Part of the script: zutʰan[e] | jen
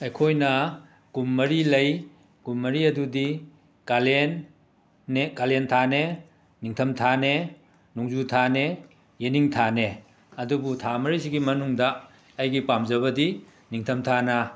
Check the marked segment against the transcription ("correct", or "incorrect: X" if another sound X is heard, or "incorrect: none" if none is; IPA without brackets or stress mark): correct